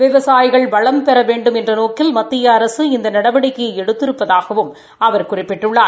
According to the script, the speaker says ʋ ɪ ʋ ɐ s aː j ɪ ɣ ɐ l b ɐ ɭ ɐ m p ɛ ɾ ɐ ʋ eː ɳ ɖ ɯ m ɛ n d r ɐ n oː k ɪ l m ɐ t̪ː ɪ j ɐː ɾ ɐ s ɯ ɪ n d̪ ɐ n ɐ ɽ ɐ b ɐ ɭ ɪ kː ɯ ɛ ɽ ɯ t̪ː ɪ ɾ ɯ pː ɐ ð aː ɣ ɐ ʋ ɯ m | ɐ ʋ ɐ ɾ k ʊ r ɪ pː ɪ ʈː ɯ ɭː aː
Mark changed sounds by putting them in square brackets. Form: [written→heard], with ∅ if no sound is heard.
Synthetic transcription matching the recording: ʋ ɪ ʋ ɐ s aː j ɪ ɣ ɐ [l→ɭ] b ɐ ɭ ɐ m p ɛ ɾ ɐ ʋ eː ɳ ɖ ɯ m ɛ n d r ɐ n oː k ɪ l m ɐ t̪ː ɪ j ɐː ɾ ɐ s ɯ ɪ n d̪ ɐ n ɐ ɽ ɐ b ɐ [ɭ→ɽ] ɪ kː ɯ ɛ ɽ ɯ t̪ː ɪ ɾ ɯ pː ɐ ð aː ɣ ɐ ʋ ɯ m | ɐ ʋ ɐ ɾ k ʊ r ɪ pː ɪ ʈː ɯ ɭː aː